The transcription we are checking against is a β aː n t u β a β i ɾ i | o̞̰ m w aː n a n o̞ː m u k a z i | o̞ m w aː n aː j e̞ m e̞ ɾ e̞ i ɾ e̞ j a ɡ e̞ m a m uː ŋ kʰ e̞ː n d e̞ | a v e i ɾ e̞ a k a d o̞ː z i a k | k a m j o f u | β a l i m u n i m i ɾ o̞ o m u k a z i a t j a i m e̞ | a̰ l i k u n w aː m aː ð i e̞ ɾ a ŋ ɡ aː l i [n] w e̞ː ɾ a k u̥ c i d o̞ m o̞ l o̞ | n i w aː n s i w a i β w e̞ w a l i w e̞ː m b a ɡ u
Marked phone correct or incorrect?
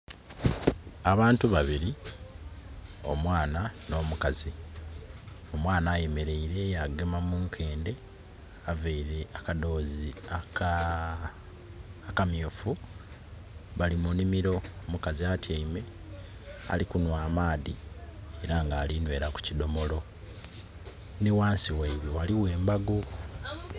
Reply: correct